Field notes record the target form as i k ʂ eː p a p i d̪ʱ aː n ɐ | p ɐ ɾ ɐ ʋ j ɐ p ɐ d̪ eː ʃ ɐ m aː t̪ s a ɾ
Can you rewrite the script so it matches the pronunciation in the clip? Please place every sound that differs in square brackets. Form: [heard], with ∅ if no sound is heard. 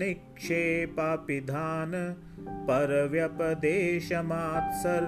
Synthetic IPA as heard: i k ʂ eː p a p i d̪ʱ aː n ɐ | p ɐ ɾ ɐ ʋ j ɐ p ɐ d̪ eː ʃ ɐ m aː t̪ s [ɐ] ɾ